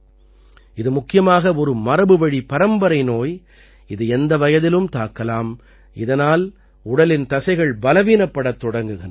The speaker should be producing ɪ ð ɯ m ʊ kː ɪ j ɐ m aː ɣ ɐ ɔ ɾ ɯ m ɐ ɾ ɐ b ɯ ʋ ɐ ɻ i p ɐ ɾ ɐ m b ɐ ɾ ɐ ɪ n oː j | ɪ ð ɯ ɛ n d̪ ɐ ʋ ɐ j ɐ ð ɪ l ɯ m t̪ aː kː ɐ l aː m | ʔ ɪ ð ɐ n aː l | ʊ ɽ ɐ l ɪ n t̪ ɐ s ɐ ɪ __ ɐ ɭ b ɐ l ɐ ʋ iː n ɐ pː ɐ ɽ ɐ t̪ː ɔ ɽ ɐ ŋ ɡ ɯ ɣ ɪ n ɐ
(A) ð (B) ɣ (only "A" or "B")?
B